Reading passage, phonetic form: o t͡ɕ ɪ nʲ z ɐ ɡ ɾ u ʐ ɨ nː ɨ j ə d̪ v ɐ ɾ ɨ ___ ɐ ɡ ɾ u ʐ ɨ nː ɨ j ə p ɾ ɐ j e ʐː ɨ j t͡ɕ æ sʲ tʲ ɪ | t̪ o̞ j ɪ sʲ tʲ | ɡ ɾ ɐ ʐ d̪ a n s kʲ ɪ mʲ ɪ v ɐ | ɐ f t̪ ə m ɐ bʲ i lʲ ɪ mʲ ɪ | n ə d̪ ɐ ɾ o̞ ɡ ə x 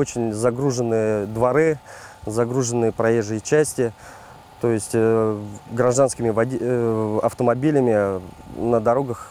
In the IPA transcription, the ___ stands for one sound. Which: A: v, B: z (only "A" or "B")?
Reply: B